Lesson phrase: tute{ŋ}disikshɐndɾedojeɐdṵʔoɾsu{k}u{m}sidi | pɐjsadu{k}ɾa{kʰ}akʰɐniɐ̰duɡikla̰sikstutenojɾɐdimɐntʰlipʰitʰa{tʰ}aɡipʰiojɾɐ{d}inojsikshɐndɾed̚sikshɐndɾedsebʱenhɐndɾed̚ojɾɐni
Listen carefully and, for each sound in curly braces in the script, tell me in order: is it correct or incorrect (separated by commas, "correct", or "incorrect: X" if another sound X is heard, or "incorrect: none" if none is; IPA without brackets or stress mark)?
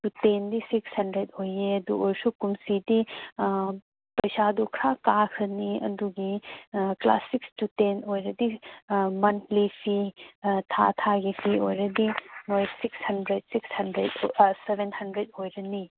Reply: incorrect: n, correct, correct, incorrect: kʰ, incorrect: k, correct, correct